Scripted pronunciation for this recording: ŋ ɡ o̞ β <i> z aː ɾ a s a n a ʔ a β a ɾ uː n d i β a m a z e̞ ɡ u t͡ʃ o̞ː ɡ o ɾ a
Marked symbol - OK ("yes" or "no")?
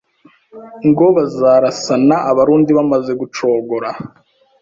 no